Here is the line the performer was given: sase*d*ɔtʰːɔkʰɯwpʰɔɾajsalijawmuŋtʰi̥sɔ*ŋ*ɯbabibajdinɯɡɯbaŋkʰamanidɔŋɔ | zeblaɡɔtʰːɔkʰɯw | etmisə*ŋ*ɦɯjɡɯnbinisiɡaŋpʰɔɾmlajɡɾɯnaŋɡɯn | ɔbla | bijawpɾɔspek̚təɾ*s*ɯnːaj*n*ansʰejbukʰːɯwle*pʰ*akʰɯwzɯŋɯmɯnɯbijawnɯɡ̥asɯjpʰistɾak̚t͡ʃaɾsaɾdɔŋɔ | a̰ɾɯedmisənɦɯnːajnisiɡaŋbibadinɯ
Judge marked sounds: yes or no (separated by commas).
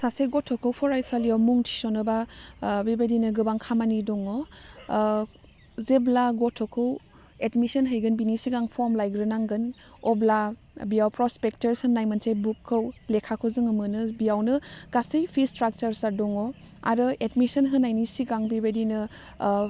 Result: no, no, no, yes, no, no